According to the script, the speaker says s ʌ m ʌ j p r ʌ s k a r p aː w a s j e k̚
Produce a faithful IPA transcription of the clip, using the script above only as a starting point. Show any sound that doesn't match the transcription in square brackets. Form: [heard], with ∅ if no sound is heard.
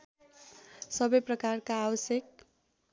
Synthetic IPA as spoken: s ʌ [b] ʌ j p r ʌ [∅] k a r [k] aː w [ʌ] s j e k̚